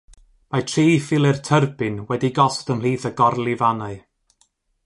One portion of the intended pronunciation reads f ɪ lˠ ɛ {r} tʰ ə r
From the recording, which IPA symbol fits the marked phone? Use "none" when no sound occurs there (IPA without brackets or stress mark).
r